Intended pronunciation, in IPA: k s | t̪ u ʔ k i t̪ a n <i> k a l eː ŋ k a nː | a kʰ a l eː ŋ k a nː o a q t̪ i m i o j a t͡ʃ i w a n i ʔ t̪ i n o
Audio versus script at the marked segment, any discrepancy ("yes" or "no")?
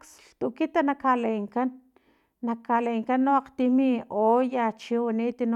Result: yes